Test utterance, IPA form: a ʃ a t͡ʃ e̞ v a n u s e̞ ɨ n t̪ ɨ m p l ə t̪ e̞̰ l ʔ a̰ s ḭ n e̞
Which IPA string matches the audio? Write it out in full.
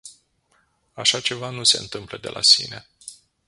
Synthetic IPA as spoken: a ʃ a t͡ʃ e̞ v a n u s e̞ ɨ n t̪ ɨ m p l ə d̪ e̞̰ l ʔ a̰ s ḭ n e̞